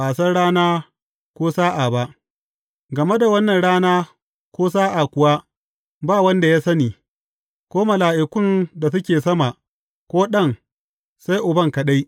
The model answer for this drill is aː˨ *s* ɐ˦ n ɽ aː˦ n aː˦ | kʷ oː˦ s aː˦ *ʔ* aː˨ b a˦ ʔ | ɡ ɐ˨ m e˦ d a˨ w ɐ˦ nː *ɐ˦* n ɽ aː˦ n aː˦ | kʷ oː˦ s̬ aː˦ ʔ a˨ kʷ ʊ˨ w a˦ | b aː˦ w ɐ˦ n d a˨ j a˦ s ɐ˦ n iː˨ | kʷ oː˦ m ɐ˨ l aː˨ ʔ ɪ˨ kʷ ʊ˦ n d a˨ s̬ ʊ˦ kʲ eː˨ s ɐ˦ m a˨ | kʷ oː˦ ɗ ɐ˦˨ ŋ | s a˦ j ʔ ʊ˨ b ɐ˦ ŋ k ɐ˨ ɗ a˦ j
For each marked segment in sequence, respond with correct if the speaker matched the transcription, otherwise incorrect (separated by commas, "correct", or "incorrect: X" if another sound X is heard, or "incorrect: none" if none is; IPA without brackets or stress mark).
correct, correct, incorrect: ɐ˨